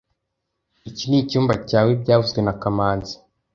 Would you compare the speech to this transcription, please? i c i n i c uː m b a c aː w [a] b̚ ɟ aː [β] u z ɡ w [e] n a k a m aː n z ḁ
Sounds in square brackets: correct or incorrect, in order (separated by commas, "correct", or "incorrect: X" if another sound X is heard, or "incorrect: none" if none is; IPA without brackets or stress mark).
incorrect: e, incorrect: v, correct